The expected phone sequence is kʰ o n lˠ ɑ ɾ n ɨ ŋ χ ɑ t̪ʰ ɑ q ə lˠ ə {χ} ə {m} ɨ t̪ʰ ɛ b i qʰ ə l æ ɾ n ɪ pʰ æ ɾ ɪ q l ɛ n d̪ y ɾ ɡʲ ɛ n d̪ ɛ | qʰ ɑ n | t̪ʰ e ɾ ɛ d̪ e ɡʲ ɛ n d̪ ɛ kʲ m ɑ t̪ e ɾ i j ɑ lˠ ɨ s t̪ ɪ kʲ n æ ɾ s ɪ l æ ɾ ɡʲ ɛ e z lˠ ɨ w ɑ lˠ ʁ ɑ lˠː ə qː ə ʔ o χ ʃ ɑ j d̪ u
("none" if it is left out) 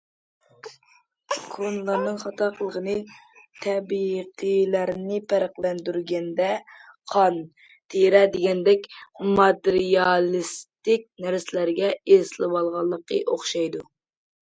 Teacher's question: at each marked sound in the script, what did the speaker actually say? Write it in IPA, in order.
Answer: ʁ, n

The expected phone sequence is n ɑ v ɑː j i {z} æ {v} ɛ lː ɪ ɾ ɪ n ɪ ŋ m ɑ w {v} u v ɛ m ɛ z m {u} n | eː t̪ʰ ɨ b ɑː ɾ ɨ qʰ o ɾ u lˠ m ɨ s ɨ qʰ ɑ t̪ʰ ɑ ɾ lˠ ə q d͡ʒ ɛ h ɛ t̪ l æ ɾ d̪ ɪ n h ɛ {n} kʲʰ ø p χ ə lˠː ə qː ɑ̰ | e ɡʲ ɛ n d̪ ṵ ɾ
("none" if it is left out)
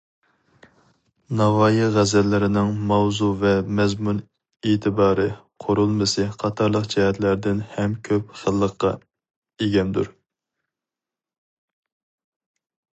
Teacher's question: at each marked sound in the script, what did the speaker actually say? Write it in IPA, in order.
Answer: ʁ, z, z, u, m

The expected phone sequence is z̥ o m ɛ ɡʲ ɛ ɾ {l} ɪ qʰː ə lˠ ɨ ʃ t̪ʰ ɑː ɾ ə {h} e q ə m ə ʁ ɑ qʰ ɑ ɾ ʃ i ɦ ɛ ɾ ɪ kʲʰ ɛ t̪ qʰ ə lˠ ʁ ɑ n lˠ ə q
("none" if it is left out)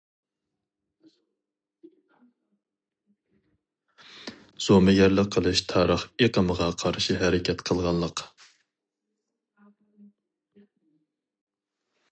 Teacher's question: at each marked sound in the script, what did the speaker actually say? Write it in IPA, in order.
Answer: l, χ

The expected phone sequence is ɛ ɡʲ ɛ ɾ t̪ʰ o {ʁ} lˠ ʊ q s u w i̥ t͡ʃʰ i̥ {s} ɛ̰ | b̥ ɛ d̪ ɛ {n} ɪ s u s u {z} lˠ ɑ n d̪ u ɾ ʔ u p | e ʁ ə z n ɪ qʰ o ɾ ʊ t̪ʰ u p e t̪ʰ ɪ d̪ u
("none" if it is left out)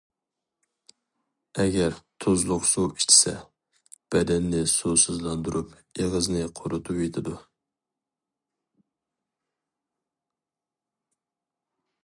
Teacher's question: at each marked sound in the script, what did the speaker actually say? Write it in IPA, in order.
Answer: z, s, nː, z

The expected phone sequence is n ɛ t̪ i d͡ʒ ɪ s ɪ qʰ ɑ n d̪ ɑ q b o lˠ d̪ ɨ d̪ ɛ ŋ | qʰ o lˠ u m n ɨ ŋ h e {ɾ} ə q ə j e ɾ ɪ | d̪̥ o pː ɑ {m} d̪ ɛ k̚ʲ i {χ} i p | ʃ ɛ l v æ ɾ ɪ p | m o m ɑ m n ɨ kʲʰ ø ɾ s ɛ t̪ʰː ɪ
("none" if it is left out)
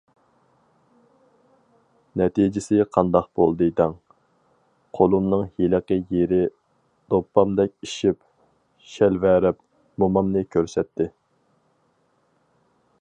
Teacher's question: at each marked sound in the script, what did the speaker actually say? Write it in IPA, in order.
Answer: l, m, ʃ

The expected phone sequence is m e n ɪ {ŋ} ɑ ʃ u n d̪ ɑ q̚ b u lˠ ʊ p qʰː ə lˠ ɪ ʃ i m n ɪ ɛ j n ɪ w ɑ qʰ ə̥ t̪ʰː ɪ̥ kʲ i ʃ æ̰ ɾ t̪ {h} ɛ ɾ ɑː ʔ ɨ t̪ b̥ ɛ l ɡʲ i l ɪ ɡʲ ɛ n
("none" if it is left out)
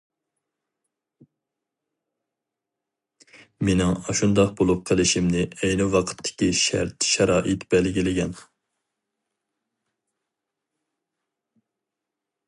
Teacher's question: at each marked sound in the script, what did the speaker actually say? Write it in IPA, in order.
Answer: ŋ, ʃ

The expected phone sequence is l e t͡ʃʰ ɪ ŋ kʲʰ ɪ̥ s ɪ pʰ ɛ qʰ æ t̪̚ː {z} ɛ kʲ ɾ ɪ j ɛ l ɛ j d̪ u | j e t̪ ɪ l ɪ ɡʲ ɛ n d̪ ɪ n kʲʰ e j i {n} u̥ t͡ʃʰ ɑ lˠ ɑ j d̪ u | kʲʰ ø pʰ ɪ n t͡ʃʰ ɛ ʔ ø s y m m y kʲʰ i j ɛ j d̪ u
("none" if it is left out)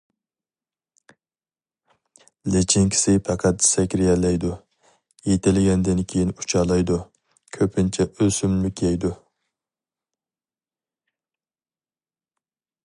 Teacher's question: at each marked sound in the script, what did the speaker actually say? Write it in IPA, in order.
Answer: s, n

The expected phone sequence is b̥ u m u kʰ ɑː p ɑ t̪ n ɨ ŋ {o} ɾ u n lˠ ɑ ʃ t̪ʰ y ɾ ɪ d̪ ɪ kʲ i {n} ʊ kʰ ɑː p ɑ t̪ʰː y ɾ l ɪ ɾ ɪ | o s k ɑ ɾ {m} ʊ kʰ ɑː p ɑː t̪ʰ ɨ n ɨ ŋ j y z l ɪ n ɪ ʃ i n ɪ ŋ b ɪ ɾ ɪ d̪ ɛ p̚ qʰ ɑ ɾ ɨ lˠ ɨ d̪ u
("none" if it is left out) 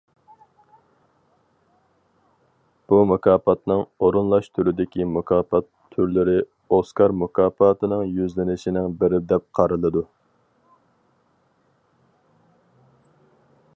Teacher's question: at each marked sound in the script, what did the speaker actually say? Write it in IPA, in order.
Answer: o, m, m

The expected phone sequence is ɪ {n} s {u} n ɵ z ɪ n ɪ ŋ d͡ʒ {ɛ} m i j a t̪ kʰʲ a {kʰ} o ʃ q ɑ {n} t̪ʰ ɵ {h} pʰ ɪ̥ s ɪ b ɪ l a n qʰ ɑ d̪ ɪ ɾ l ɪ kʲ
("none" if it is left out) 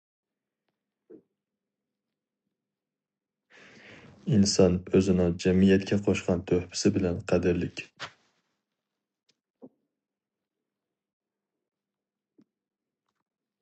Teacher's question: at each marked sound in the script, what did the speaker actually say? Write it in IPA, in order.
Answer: n, ɒ, a, qʰ, n, h

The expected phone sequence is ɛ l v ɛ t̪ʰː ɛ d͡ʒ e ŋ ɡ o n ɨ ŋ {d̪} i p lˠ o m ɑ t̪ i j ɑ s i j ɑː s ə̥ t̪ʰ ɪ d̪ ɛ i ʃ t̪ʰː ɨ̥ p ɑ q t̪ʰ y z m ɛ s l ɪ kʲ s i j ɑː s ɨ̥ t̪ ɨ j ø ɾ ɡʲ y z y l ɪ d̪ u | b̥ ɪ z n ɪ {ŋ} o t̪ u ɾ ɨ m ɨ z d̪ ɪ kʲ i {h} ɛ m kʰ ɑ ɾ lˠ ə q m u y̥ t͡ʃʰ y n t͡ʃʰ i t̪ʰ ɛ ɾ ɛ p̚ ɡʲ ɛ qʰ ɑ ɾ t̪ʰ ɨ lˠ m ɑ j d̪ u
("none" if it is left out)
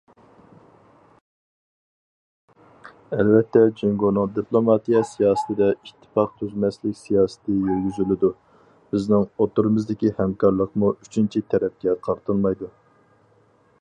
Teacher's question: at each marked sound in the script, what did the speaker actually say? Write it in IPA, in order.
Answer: d̪, ŋ, h

